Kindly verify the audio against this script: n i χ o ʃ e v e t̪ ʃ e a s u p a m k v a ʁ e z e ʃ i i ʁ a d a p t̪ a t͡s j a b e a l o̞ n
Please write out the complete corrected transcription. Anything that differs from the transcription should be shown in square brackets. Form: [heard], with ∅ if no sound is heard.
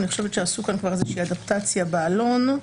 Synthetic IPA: n i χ o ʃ e v e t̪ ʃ e a s u [k] a [n] k v a ʁ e z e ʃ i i [∅] a d a p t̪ a t͡s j a b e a l o̞ n